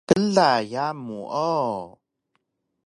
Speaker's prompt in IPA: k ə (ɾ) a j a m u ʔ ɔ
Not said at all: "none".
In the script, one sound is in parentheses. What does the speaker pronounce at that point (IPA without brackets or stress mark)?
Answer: l